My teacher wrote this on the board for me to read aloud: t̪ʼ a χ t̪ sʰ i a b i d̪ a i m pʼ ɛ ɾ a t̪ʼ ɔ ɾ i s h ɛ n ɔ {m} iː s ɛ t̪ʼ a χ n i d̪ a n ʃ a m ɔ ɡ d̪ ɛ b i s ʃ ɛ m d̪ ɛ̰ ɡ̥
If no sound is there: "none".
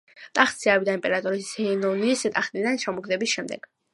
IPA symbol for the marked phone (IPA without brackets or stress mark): n